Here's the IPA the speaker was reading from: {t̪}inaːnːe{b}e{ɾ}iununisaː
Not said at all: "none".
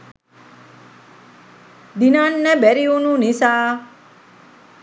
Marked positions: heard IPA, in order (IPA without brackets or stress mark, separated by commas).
d̪, b, ɾ